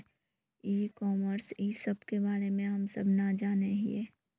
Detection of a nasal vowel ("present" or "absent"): present